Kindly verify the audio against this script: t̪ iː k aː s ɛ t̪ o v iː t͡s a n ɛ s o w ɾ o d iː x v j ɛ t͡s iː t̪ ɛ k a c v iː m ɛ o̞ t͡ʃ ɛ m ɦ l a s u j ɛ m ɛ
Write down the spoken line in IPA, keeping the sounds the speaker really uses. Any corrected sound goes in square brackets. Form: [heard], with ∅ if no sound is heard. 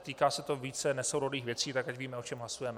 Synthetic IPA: t̪ iː k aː s ɛ t̪ o v iː t͡s [ɛ] n ɛ s o w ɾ o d iː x v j ɛ t͡s iː t̪ [a] k a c v iː m ɛ o̞ t͡ʃ ɛ m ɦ l a s u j ɛ m ɛ